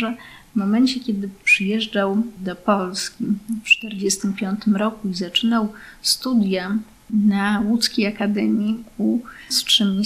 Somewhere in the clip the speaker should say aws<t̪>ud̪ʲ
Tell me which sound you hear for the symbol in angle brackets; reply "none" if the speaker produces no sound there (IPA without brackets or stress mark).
t̪